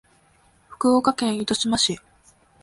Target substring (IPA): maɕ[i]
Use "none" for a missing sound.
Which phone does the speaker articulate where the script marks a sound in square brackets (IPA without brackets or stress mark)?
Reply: i